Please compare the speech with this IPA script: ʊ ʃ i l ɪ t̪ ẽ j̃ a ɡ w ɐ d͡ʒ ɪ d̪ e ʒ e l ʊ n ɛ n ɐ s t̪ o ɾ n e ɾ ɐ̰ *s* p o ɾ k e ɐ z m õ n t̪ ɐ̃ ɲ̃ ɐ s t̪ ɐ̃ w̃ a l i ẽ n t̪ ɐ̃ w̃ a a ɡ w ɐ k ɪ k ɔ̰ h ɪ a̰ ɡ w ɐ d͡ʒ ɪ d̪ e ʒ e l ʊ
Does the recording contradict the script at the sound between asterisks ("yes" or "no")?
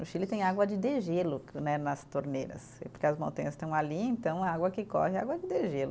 no